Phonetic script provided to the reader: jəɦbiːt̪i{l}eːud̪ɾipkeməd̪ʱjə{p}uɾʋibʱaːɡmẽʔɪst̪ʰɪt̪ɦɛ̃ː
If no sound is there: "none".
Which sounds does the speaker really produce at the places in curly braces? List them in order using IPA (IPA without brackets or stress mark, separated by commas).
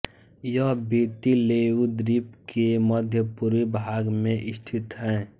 l, p